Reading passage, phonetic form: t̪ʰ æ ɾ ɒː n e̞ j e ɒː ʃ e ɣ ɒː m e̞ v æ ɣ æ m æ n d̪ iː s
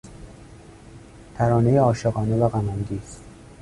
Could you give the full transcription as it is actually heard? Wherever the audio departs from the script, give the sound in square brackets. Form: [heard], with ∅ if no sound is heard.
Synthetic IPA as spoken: t̪ʰ æ ɾ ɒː n e̞ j e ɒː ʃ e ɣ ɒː [n] e̞ v æ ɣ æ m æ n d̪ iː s